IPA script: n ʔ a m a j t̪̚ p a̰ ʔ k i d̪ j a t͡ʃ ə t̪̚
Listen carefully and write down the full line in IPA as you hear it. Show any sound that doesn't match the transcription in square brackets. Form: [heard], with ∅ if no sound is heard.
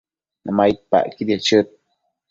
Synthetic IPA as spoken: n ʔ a m a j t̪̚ p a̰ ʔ k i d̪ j a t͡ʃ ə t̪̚